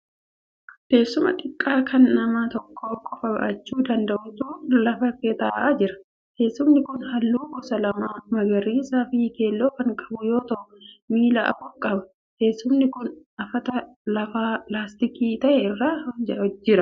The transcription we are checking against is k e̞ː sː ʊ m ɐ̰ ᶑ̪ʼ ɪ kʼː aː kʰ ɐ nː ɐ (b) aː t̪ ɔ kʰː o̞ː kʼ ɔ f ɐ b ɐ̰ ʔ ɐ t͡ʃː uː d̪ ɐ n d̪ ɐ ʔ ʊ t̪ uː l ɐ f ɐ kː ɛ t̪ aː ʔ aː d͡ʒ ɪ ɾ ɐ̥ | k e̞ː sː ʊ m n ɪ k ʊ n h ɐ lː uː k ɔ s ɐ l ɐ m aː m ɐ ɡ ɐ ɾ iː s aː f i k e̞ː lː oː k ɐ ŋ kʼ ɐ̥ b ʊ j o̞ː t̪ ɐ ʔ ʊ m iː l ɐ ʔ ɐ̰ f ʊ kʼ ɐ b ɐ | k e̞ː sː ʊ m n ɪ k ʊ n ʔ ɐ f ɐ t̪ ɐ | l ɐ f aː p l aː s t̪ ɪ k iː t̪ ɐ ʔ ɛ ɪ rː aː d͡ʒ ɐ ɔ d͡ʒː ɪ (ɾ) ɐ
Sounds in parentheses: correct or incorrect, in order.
incorrect, correct

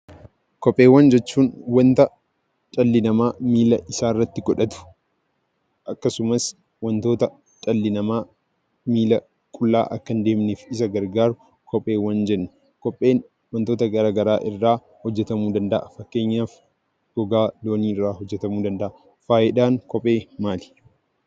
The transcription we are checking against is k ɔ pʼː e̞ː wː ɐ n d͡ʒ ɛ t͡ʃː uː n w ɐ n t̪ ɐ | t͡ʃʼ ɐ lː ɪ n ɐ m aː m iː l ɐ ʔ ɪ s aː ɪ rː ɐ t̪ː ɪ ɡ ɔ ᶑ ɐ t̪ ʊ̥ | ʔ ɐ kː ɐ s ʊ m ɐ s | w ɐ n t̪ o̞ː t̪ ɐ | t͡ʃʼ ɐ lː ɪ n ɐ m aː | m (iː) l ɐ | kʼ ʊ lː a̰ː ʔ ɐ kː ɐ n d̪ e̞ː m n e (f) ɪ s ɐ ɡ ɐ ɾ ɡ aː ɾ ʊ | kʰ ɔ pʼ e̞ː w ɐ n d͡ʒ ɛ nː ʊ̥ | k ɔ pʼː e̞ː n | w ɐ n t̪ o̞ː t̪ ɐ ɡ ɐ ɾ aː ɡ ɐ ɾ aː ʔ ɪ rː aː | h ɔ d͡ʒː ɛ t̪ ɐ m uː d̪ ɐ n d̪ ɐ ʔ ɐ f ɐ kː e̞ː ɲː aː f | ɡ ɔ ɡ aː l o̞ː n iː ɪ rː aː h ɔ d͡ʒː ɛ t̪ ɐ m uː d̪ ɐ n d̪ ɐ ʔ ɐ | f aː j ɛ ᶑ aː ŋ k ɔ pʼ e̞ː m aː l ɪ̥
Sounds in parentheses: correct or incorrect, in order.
correct, correct

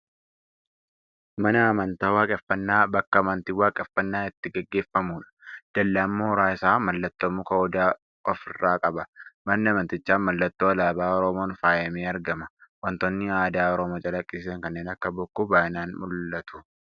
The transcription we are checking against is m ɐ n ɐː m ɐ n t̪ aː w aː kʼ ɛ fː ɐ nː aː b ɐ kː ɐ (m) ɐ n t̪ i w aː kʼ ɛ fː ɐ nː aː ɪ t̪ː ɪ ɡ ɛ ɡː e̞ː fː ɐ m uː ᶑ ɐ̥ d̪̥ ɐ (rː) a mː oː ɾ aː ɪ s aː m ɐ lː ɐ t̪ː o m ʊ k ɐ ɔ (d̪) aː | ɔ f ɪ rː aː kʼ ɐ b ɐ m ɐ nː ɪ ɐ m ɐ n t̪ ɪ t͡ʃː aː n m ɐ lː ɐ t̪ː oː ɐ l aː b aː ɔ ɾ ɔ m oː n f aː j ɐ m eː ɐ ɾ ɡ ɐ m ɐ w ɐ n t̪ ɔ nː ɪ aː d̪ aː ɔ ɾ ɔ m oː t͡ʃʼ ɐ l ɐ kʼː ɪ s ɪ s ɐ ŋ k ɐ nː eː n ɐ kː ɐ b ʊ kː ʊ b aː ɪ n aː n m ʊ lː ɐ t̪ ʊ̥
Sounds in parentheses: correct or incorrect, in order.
correct, incorrect, correct

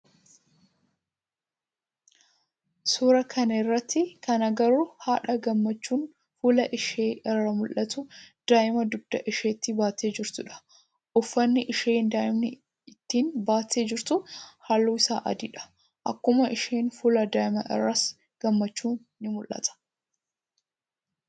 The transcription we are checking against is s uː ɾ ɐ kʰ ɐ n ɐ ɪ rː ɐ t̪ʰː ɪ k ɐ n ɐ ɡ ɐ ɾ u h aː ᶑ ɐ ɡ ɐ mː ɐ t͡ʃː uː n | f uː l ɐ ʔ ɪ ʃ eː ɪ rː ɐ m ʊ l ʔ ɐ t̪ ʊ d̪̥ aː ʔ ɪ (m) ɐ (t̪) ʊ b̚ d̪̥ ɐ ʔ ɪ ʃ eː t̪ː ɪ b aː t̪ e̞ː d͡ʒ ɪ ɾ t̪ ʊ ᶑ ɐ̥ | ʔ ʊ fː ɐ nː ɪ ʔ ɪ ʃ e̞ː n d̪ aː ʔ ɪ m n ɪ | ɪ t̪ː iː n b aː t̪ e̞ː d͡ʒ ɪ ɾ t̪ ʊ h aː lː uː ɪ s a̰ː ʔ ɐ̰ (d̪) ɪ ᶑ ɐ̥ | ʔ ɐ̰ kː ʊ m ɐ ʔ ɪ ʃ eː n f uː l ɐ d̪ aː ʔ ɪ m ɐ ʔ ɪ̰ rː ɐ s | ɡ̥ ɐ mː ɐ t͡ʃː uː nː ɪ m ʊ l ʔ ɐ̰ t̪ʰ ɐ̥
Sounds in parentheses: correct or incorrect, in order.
correct, incorrect, correct

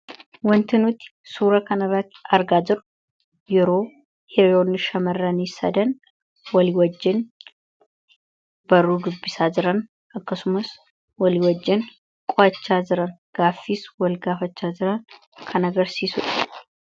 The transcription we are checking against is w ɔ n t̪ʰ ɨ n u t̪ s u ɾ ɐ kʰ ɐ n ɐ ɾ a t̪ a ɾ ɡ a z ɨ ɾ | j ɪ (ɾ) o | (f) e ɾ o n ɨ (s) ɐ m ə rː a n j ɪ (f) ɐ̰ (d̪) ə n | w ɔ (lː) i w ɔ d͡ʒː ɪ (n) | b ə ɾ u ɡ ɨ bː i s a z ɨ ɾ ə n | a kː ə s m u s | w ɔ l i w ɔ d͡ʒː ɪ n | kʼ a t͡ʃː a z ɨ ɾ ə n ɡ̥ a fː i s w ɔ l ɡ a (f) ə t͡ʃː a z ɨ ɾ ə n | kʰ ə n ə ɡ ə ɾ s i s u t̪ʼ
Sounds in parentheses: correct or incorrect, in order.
correct, incorrect, incorrect, incorrect, correct, incorrect, correct, correct

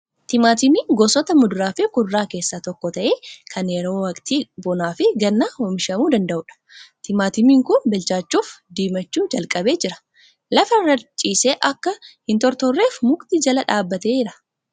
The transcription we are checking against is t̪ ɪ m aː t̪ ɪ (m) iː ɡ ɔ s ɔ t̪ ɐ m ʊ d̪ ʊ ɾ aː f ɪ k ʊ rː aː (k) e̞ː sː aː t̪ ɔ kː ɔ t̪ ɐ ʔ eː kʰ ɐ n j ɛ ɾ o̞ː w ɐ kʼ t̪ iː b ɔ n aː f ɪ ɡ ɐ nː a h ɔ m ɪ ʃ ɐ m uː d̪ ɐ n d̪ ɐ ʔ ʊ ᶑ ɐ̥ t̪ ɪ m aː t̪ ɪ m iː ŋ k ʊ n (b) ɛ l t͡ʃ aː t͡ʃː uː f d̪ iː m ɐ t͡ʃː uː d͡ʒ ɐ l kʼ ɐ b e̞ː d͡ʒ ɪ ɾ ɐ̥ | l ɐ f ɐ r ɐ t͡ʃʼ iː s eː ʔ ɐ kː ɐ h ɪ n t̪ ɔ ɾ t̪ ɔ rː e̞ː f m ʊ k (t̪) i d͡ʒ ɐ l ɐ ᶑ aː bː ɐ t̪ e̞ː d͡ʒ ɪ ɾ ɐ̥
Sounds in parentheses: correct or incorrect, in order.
correct, correct, correct, correct

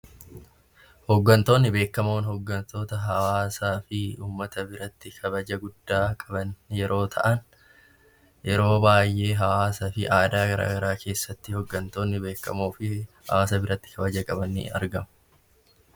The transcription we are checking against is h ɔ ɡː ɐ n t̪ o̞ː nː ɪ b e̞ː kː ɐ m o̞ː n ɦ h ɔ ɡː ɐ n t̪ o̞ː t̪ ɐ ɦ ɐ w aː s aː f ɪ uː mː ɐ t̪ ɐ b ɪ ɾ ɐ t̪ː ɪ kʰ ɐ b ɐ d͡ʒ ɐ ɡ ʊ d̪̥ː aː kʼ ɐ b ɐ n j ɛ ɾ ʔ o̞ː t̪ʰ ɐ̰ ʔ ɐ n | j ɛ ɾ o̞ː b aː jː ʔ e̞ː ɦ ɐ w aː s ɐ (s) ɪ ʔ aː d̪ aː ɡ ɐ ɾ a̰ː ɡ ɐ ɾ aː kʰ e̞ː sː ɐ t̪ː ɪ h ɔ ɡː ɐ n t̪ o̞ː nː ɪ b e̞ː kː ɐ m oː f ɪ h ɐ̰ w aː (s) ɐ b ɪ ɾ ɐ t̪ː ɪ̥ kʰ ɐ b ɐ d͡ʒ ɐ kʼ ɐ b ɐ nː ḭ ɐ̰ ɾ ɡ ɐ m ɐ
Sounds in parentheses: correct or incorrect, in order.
incorrect, correct

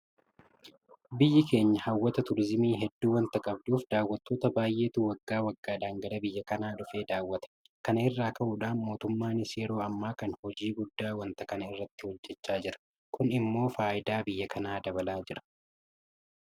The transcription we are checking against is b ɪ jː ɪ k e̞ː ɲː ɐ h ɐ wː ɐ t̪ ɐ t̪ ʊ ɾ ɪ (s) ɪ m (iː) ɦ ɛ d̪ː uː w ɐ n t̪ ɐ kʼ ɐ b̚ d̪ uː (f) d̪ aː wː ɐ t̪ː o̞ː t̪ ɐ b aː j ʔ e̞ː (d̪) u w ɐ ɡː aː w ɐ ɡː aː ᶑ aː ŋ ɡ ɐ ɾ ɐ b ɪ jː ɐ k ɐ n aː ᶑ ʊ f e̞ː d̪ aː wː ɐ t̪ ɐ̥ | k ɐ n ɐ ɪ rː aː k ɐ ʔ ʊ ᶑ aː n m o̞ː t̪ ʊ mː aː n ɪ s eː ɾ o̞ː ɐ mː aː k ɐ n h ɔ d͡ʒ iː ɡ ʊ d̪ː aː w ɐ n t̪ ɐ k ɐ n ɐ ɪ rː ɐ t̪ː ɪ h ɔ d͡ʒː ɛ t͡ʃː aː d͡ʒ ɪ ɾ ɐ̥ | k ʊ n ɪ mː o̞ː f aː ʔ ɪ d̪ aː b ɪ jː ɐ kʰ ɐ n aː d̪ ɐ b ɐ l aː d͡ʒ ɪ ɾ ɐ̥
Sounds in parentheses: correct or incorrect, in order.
incorrect, correct, correct, incorrect

